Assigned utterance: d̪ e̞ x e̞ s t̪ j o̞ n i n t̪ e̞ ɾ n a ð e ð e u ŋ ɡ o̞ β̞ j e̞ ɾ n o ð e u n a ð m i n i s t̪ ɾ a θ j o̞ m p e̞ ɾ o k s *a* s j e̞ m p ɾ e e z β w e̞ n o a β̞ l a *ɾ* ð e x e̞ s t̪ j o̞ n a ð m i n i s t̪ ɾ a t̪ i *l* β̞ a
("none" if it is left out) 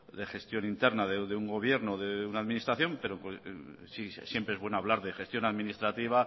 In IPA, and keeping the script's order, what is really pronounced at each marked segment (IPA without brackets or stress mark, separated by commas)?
i, ɾ, none